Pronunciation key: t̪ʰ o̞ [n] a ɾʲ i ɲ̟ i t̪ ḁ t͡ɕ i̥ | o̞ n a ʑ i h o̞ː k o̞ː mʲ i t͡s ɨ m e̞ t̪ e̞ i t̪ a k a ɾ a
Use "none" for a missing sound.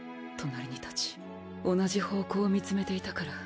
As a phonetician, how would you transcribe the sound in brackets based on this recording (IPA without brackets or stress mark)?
n